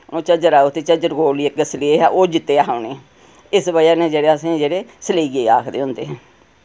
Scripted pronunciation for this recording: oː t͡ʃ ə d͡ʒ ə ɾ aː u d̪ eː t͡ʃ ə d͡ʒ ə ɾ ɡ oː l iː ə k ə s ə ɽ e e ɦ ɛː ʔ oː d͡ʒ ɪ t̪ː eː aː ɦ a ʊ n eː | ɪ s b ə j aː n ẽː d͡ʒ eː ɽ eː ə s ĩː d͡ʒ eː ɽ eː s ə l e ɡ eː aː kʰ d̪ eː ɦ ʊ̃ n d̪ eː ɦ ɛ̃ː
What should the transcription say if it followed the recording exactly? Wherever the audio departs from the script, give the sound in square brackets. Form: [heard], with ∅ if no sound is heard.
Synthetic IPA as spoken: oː t͡ʃ ə d͡ʒ ə ɾ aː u [t̪] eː t͡ʃ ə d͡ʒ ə ɾ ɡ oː l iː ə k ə s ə [l] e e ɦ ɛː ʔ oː d͡ʒ ɪ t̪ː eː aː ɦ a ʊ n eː | ɪ s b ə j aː n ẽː d͡ʒ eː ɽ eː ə s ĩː d͡ʒ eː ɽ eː s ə l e ɡ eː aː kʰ d̪ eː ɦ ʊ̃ n d̪ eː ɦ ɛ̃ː